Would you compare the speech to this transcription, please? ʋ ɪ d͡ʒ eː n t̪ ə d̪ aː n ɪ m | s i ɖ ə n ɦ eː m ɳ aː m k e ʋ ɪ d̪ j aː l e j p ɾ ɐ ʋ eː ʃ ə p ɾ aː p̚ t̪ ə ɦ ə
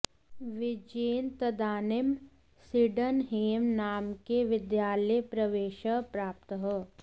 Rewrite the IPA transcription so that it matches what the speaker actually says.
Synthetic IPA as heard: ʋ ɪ d͡ʒ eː n t̪ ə d̪ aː n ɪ m | s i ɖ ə n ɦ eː m n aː m k e ʋ ɪ d̪ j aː l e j p ɾ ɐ ʋ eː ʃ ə p ɾ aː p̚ t̪ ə ɦ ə